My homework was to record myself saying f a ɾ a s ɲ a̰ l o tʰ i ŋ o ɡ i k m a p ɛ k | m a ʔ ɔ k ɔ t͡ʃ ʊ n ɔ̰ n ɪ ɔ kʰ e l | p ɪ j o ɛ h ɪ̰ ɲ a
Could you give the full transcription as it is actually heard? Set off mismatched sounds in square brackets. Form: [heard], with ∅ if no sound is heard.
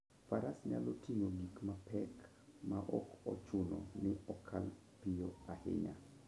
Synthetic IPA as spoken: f a ɾ a s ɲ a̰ l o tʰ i ŋ o ɡ i k m a p ɛ k | m a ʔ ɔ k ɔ t͡ʃ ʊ n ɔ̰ n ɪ ɔ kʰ [a] l | p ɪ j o [a] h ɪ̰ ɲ a